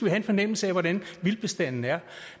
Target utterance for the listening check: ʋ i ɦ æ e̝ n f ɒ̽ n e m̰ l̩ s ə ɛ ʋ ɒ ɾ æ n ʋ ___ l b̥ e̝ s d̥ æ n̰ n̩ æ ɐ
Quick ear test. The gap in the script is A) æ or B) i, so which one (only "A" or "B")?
B